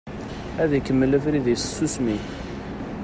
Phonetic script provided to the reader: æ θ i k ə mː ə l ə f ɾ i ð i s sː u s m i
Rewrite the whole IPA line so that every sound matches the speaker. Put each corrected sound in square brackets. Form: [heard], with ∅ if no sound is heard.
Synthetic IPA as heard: æ [ð] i k ə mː ə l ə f ɾ i ð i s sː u s m i